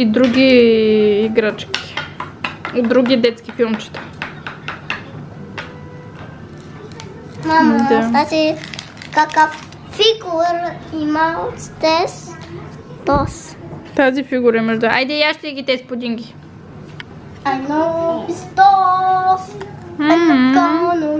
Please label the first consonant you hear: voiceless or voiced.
voiced